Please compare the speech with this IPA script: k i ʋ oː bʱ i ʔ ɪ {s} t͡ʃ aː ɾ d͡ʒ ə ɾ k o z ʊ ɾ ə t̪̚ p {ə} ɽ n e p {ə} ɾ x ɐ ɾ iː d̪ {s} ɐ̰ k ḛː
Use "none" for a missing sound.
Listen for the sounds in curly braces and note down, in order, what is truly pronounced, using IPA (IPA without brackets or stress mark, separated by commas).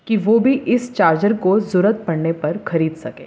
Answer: s, ɐ, ɐ, s